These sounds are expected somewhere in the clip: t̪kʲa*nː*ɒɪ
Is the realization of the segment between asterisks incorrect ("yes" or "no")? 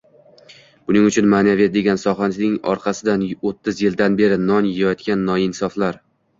no